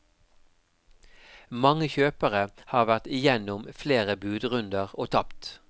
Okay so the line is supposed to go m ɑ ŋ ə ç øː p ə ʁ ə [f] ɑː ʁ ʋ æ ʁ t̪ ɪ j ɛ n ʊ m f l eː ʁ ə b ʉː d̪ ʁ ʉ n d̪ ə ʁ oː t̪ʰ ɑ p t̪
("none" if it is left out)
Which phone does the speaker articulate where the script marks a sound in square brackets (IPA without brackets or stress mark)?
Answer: h